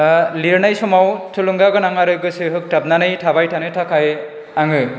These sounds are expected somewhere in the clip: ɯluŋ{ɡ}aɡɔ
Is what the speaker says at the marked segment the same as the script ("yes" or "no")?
yes